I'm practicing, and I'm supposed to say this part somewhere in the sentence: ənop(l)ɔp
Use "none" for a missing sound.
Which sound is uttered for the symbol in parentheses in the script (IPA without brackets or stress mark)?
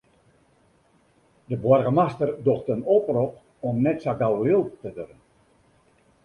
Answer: r